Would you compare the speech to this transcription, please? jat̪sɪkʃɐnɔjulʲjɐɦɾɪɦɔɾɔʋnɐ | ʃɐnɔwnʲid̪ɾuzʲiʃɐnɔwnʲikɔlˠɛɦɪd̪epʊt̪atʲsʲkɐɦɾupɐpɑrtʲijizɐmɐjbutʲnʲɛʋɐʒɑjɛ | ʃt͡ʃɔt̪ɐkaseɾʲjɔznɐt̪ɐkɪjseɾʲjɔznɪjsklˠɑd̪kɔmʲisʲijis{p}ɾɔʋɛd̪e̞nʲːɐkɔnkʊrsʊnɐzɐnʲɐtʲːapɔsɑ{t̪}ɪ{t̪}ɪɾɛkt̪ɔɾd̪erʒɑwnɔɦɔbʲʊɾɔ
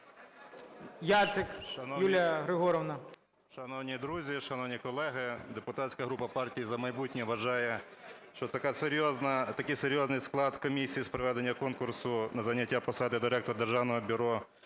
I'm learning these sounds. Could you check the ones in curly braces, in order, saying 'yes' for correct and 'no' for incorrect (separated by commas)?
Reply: yes, no, no